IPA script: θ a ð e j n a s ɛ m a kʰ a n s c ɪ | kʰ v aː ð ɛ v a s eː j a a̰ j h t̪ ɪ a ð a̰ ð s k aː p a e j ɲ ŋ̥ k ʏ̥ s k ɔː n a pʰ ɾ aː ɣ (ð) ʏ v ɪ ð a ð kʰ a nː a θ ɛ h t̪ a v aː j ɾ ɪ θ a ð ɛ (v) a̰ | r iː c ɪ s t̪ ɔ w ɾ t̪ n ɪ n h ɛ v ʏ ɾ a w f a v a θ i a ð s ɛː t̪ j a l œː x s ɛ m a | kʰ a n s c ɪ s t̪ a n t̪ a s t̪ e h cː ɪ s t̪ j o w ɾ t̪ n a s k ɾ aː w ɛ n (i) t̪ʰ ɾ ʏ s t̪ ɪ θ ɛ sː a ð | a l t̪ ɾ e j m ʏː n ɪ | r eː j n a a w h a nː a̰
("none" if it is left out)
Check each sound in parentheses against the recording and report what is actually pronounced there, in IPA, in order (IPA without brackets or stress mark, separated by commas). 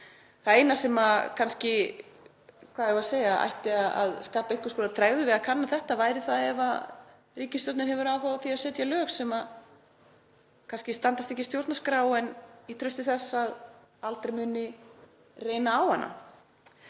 ð, v, i